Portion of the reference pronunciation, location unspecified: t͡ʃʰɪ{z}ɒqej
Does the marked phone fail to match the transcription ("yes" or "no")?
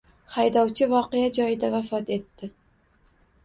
yes